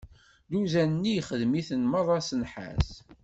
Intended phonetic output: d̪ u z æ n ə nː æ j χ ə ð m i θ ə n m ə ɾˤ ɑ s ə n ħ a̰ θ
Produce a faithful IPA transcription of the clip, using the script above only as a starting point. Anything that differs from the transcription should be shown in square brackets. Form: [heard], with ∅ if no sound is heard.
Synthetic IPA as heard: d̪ u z æ n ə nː [i] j χ ə ð m i θ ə n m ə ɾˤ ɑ s ə n ħ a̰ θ